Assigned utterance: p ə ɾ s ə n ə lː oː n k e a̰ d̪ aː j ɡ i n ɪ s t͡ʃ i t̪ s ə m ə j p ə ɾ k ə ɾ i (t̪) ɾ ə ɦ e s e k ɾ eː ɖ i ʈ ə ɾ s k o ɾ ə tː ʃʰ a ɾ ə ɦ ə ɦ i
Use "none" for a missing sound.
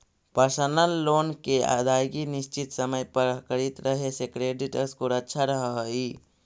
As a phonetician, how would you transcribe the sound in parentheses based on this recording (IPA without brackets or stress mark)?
t̪